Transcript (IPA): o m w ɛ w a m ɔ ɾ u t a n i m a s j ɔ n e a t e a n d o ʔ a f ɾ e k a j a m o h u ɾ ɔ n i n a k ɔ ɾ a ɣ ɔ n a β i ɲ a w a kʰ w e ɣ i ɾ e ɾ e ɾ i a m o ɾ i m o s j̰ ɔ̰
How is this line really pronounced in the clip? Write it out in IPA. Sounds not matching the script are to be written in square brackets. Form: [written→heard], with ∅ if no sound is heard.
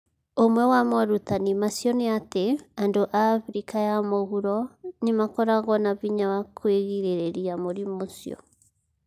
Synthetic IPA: o m w ɛ w a m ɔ ɾ u t a n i m a s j ɔ n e a t e a n d o ʔ a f ɾ [e→i] k a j a m o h u ɾ ɔ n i [n→m] a k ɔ ɾ a ɣ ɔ n a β i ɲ a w a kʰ w e ɣ i ɾ e ɾ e ɾ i a m o ɾ i m o s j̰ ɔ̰